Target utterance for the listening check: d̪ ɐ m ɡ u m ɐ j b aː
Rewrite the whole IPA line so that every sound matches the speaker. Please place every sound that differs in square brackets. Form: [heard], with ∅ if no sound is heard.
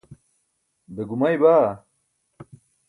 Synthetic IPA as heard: d̪ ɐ [∅] ɡ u m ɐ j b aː